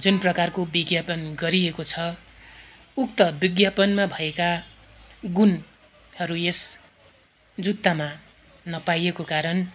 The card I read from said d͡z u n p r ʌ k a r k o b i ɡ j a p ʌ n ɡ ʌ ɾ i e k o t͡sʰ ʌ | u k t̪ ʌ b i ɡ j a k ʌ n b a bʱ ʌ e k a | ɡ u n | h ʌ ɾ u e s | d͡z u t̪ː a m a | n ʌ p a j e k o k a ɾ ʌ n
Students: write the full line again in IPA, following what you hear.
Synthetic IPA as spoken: d͡z u n p r ʌ k a r k o b i ɡ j a p ʌ n ɡ ʌ ɾ i e k o t͡sʰ ʌ | u k t̪ ʌ b i ɡ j a p ʌ n m a bʱ ʌ e k a | ɡ u n | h ʌ ɾ u e s | d͡z u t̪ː a m a | n ʌ p a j e k o k a ɾ ʌ n